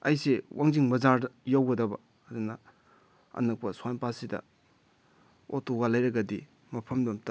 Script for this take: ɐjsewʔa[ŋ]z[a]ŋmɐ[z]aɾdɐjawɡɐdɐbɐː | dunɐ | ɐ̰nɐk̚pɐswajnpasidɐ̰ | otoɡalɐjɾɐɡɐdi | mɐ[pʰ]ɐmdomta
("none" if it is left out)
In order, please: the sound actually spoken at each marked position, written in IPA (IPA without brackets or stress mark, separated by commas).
ŋ, i, z, pʰ